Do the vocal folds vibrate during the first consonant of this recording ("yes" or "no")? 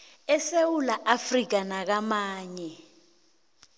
no